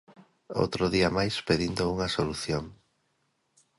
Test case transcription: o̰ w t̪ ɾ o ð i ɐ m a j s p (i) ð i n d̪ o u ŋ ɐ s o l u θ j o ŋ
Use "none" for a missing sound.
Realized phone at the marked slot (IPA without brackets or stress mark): e